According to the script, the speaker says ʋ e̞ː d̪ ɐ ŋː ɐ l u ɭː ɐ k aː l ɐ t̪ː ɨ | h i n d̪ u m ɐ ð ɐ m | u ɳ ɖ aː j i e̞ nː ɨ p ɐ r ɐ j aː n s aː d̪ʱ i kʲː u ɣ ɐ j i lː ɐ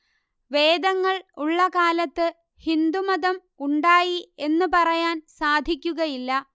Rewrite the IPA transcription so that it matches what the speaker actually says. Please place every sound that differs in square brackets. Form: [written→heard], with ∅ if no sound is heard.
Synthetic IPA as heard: ʋ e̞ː d̪ ɐ ŋː ɐ [l→ɭ] u ɭː ɐ k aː l ɐ t̪ː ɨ | h i n d̪ u m ɐ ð ɐ m | u ɳ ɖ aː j i e̞ nː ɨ p ɐ r ɐ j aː n s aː d̪ʱ i kʲː u ɣ ɐ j i lː ɐ